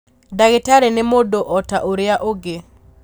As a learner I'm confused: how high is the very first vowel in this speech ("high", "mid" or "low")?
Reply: low